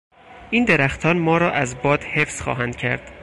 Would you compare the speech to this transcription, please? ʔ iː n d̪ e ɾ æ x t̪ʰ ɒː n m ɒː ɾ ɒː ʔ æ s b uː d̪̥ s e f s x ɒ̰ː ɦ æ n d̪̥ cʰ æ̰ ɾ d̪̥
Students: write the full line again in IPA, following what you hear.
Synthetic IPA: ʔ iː n d̪ e ɾ æ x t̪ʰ ɒː n m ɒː ɾ ɒː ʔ æ z b ɒː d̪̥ h e f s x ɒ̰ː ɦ æ n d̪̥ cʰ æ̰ ɾ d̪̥